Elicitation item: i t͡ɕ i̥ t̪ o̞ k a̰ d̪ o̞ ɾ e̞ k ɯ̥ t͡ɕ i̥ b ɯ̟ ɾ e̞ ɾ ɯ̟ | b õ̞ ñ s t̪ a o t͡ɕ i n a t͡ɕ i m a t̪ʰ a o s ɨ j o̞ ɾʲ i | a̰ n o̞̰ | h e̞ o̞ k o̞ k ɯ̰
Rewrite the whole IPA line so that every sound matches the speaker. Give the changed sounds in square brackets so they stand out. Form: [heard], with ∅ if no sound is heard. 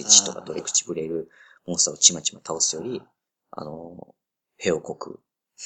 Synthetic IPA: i t͡ɕ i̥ t̪ o̞ k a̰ d̪ o̞ ɾ e̞ k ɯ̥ t͡ɕ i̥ b ɯ̟ ɾ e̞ ɾ ɯ̟ | [m] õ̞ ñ s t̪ a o t͡ɕ i [m] a t͡ɕ i m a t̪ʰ a o s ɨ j o̞ ɾʲ i | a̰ n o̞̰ | h e̞ o̞ k o̞ k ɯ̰